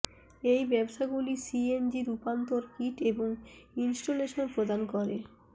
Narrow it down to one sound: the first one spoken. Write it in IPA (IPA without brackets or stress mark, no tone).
e